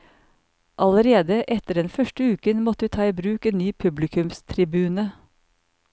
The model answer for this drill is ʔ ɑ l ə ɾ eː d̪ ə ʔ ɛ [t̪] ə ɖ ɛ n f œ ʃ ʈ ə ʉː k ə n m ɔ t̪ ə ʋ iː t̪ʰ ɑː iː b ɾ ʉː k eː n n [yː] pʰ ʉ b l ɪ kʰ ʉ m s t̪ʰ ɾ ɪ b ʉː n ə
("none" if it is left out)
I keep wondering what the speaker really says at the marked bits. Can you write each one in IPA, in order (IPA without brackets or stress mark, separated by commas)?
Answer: t̪, yː